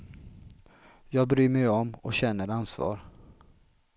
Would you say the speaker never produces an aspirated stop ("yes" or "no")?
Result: yes